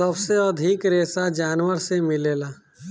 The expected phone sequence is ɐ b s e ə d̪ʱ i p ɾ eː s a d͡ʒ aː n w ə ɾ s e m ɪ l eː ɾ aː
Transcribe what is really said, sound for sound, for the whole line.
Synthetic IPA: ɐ b s e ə d̪ʱ i k ɾ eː s a d͡ʒ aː n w ə ɾ s e m ɪ l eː l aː